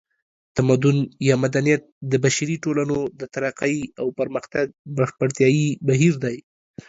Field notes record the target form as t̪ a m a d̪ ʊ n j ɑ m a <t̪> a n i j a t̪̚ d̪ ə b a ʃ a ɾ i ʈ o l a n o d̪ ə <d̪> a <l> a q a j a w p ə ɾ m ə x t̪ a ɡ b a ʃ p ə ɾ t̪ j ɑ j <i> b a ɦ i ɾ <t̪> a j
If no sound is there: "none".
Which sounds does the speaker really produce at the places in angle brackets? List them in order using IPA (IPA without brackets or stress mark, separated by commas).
d̪, t̪, ɾ, i, d̪